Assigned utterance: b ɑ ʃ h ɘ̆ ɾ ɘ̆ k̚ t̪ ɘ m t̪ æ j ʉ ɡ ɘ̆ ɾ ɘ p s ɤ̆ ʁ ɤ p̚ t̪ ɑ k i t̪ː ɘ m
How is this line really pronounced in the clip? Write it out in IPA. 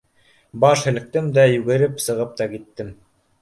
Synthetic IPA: b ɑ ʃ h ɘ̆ l ɘ̆ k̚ t̪ ɘ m d̪ æ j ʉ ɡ ɘ̆ ɾ ɘ p s ɤ̆ ʁ ɤ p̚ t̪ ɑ k i t̪ː ɘ m